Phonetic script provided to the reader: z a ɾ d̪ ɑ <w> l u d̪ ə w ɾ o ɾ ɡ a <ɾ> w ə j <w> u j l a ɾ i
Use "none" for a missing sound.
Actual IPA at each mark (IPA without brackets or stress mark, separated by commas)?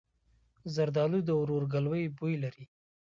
none, l, b